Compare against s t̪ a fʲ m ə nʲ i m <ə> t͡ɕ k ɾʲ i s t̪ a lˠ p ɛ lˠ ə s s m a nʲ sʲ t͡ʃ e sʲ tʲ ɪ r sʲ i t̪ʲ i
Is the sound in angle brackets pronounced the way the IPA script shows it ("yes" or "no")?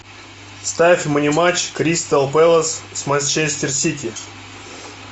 no